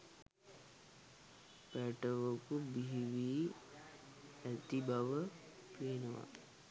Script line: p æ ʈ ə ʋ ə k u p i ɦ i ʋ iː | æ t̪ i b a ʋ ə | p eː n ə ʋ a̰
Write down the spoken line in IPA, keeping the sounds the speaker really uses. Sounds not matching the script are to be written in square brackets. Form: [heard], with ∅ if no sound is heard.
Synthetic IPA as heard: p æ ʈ ə ʋ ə k u [b] i ɦ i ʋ iː | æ t̪ i b a ʋ ə | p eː n ə ʋ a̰